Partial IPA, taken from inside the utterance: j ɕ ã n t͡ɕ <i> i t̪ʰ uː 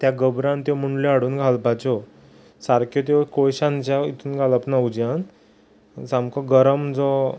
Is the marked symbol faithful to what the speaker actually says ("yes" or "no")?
no